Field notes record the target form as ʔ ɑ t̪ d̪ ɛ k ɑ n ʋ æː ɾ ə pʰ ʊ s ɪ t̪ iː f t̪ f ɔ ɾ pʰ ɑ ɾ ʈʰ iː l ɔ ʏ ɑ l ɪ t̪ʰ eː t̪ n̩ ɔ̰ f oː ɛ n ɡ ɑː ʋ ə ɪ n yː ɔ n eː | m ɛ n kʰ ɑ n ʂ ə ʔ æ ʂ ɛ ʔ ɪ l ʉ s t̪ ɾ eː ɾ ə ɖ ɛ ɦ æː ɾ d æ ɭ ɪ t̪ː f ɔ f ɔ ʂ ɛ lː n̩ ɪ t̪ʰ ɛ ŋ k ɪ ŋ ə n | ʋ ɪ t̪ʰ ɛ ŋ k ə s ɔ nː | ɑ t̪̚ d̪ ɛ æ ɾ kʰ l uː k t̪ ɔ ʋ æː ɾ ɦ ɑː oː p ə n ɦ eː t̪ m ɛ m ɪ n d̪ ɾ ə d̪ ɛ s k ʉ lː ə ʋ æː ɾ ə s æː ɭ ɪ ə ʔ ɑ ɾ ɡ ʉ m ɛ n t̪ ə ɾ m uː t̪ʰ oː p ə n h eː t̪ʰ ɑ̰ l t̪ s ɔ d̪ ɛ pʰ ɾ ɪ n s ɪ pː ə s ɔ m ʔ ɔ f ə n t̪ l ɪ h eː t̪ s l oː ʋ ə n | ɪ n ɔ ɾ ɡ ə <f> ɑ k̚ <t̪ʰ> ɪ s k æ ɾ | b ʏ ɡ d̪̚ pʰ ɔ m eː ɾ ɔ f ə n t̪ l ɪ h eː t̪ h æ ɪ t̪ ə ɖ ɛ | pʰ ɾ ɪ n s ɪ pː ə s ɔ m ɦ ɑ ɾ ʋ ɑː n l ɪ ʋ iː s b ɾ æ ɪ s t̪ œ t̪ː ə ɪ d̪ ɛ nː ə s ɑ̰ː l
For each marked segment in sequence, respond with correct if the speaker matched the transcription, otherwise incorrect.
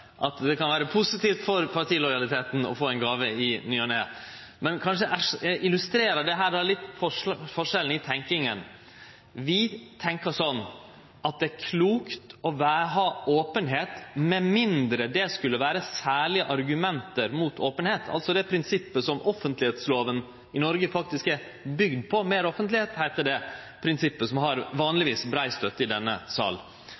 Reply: correct, incorrect

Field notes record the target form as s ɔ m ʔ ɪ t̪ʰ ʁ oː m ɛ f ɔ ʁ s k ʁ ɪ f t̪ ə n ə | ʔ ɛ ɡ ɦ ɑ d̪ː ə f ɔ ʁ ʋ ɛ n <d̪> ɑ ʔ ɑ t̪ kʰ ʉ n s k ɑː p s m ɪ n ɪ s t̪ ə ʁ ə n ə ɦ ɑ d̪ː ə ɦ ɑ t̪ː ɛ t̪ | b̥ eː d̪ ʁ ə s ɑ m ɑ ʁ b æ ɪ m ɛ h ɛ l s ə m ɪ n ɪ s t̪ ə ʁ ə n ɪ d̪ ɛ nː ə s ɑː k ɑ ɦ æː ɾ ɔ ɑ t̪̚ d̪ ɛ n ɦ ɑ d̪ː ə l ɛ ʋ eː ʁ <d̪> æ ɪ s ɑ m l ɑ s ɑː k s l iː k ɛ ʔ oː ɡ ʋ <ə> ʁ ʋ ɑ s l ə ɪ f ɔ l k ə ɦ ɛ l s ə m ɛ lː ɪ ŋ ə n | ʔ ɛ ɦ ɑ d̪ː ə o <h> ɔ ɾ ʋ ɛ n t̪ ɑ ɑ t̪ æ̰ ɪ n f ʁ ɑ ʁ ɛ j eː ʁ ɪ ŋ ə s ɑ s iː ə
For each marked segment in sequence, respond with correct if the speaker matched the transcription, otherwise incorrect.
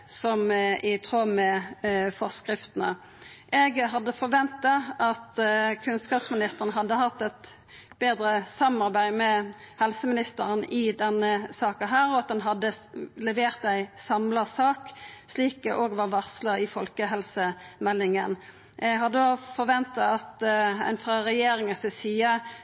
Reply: incorrect, incorrect, incorrect, incorrect

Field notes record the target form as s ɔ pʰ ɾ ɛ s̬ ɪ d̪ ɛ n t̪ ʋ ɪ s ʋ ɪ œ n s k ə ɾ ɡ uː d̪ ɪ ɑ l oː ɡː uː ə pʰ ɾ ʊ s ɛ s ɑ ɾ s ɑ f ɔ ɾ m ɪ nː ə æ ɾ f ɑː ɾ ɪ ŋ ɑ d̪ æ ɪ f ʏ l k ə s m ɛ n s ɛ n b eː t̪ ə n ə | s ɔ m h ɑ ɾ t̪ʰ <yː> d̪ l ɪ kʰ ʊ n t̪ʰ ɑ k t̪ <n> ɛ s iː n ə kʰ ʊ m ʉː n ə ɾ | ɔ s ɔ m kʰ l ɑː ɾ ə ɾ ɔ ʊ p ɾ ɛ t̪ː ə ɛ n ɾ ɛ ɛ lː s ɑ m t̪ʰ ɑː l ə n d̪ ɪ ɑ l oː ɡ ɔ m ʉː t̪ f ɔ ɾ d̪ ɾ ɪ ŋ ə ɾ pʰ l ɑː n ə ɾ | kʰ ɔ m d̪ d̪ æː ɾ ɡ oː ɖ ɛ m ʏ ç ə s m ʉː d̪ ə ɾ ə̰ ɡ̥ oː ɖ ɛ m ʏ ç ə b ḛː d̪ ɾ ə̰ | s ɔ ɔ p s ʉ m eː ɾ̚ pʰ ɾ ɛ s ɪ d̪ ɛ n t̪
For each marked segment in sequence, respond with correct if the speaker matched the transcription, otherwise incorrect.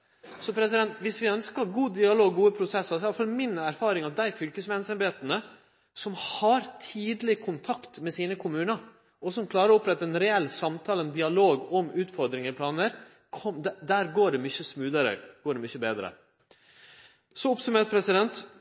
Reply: incorrect, incorrect

